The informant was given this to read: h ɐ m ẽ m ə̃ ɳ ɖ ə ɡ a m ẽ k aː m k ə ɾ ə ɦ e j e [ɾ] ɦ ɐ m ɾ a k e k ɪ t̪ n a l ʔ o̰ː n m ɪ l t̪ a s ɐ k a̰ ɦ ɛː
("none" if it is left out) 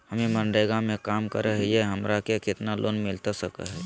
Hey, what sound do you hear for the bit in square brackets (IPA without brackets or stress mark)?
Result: none